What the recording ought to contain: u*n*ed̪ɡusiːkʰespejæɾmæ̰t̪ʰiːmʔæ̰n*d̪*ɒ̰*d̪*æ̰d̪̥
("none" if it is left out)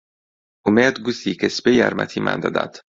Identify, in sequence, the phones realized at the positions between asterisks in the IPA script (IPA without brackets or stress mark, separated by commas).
m, d̪, d̪